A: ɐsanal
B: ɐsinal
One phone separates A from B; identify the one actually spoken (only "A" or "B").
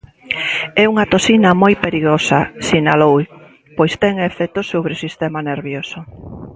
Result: B